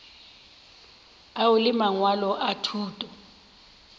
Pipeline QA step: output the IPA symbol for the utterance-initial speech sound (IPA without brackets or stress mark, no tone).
a